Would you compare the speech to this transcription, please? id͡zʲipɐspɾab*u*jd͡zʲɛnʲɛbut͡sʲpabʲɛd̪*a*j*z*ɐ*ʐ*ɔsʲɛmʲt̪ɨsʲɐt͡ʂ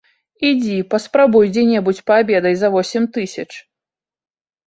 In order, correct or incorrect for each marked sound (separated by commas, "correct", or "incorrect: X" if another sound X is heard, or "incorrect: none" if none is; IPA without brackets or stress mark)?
correct, incorrect: ɐ, correct, incorrect: v